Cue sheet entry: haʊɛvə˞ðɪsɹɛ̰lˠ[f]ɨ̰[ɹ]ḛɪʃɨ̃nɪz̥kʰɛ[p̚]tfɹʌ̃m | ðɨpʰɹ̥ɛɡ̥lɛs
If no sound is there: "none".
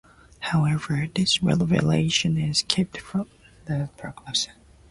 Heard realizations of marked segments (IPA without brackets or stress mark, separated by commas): v, l, p̚